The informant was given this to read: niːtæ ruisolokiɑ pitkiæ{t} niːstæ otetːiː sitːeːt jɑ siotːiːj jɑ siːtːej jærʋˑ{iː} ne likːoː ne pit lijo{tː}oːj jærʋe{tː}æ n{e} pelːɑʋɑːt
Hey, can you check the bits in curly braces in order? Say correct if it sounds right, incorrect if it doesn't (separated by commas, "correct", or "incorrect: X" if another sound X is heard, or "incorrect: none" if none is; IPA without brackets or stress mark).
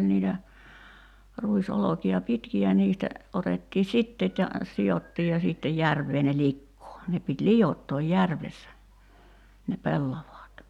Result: incorrect: none, incorrect: eː, correct, incorrect: sː, correct